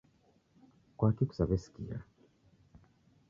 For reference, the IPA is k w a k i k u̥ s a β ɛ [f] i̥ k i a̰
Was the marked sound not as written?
yes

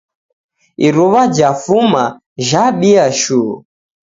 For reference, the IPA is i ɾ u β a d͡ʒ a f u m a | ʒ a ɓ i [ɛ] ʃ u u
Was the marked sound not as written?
yes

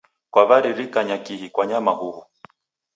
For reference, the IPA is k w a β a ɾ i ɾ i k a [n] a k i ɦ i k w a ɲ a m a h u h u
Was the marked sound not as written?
yes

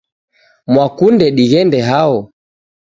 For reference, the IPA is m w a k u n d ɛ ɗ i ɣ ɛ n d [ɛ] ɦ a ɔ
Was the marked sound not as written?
no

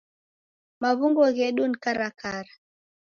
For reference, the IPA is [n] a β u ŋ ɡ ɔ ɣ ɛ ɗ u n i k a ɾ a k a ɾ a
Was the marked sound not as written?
yes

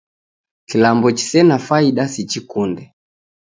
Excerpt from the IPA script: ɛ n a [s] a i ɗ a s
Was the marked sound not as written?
yes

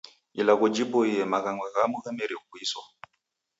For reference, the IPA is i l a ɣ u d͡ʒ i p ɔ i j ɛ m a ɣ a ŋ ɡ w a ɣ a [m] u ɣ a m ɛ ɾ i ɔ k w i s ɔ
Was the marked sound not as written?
no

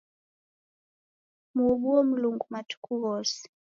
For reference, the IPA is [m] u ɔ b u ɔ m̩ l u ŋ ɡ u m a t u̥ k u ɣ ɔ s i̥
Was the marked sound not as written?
no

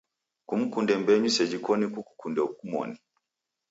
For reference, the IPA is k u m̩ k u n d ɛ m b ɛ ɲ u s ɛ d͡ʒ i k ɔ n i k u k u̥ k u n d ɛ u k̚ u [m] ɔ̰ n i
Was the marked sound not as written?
no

